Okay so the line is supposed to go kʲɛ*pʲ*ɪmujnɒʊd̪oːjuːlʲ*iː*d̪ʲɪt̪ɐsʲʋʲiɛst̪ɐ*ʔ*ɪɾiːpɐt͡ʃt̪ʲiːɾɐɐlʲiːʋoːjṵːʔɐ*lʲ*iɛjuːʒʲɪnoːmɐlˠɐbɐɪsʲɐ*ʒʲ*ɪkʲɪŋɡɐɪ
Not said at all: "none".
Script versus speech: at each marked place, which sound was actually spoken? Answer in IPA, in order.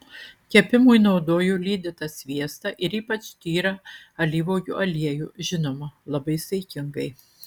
pʲ, iː, ʔ, lʲ, none

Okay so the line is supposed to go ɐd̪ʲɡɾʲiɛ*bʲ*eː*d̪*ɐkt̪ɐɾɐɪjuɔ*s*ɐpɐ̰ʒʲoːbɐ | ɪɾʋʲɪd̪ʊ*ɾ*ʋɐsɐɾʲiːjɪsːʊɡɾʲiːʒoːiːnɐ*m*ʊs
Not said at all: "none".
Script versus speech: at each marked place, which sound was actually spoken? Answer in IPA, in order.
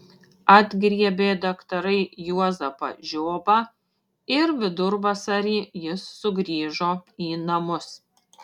bʲ, d̪, z, ɾ, m

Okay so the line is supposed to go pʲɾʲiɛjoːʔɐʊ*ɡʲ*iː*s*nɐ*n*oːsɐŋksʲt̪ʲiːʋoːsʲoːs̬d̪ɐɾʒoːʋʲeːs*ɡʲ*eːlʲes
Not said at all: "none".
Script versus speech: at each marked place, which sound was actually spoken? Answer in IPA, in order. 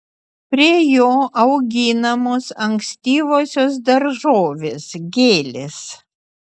ɡʲ, none, m, ɡʲ

